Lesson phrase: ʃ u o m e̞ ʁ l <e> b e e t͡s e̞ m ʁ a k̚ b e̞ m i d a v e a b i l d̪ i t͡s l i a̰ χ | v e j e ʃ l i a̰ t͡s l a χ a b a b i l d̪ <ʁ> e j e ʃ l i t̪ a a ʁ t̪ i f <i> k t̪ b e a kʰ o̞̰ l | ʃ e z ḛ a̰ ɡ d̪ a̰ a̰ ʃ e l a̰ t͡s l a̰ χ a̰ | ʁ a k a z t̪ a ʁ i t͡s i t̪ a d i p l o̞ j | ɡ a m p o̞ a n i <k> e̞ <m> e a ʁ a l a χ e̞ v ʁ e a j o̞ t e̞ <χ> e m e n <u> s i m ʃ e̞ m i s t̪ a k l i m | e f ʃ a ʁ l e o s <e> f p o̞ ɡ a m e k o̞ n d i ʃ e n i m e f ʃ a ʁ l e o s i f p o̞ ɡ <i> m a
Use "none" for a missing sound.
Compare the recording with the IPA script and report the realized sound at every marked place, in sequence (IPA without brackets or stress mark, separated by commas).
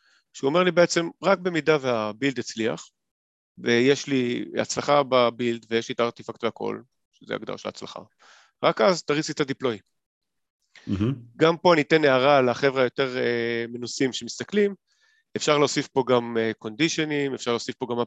i, v, a, t, n, ʁ, u, i, a